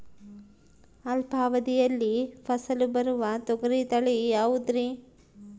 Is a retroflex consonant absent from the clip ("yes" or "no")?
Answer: no